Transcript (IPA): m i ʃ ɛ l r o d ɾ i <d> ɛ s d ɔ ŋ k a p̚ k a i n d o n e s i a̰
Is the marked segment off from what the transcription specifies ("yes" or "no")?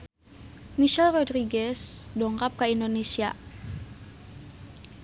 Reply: yes